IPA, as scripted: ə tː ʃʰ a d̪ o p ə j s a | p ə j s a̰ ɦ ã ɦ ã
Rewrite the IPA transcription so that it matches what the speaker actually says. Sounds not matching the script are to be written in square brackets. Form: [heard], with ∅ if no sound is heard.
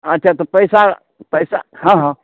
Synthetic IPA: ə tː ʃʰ a [t̪] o p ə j s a | p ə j s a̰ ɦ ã ɦ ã